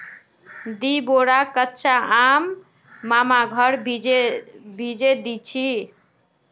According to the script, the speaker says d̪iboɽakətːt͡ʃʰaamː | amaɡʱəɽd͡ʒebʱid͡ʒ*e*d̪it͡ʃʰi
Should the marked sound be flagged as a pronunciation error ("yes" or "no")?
no